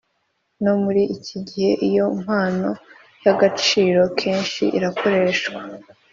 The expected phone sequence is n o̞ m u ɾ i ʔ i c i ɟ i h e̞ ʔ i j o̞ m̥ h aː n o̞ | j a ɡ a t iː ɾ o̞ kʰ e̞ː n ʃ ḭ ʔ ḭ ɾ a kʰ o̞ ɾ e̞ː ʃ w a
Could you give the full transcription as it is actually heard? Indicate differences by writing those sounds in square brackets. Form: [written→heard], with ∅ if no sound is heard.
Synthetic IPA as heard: n o̞ m u ɾ i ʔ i c i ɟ i h e̞ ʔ i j o̞ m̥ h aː n o̞ | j a ɡ a [t→t͡ʃ] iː ɾ o̞ kʰ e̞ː n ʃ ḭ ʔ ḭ ɾ a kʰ o̞ ɾ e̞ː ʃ w a